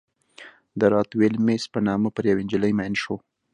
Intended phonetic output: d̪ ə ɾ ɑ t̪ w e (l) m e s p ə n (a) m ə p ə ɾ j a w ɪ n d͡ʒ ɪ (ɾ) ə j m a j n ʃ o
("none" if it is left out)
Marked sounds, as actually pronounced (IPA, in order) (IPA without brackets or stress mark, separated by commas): l, ɑ, l